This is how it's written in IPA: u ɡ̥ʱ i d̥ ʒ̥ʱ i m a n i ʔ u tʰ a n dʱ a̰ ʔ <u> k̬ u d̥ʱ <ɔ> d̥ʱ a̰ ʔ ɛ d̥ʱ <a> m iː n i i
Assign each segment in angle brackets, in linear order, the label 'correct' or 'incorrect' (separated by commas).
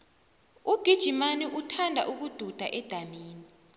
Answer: correct, incorrect, correct